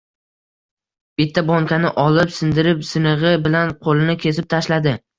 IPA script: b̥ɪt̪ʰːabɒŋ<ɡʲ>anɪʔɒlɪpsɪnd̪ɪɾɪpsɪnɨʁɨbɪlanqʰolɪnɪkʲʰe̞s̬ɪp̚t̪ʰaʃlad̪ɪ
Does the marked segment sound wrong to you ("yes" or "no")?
yes